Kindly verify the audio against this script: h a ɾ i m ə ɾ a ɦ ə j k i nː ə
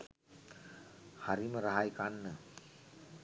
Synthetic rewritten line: h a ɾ i m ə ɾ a ɦ a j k a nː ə